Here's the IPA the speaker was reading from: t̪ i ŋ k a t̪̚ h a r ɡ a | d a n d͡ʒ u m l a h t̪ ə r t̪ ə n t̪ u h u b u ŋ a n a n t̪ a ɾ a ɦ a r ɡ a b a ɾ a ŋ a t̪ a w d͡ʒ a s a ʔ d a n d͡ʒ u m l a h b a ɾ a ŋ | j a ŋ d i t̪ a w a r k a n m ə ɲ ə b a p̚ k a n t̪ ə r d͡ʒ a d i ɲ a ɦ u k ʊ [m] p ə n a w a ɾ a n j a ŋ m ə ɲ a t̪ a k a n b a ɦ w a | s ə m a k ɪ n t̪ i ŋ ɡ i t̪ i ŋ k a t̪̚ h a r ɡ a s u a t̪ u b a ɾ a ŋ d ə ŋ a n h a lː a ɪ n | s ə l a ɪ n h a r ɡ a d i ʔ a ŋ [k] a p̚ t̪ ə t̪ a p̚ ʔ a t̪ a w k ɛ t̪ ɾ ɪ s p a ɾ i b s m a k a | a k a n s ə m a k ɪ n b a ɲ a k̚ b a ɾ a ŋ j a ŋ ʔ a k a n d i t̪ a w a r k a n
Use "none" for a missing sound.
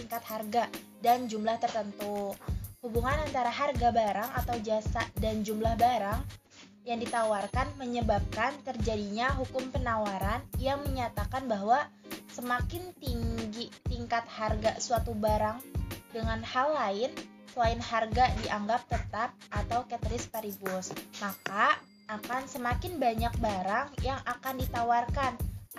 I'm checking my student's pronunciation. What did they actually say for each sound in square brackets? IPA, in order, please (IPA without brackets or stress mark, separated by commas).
m, ɡ